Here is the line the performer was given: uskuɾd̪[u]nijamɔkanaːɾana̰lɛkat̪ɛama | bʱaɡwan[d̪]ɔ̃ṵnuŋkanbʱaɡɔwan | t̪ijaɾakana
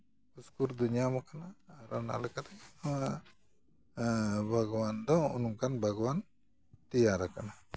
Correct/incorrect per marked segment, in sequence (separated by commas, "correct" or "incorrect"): correct, correct